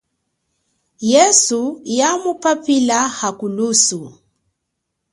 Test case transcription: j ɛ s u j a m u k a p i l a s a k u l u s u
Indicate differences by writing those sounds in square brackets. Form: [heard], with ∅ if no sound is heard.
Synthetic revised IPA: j ɛ s u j a m u [p] a p i l a [h] a k u l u s u